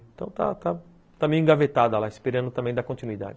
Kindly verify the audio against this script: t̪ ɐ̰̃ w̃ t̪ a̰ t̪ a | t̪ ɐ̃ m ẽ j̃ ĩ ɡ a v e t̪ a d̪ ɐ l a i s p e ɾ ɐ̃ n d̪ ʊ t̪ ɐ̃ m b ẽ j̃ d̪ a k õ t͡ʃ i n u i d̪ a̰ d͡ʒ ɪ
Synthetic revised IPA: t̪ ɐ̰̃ w̃ t̪ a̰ t̪ a | t̪ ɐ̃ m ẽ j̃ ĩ ɡ a v e t̪ a d̪ ɐ l a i s p e ɾ ɐ̃ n d̪ ʊ t̪ ɐ̃ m b ẽ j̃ d̪ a k õ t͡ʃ i n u i d̪ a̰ d͡ʒ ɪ